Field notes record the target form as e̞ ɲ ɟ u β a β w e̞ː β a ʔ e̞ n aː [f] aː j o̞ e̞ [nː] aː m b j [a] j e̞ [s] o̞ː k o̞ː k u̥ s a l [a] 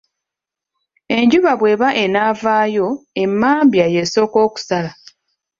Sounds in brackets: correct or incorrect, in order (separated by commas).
incorrect, incorrect, correct, correct, correct